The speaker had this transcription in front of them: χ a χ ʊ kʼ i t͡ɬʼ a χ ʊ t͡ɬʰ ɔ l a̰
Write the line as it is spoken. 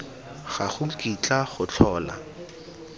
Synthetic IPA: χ a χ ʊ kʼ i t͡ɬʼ a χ ʊ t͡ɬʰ ɔː l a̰